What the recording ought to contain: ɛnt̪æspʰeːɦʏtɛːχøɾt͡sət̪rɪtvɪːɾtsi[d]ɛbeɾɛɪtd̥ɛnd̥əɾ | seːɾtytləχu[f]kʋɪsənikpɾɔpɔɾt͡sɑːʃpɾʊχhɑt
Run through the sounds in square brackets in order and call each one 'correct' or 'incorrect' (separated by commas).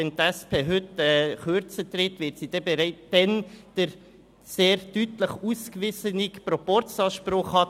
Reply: correct, incorrect